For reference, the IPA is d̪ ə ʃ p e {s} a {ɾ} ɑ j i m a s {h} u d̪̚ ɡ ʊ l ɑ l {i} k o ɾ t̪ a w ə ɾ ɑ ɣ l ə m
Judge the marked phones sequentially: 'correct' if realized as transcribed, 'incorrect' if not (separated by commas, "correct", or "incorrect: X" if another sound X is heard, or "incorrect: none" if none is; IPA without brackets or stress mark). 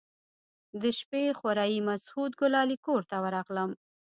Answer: incorrect: x, correct, correct, correct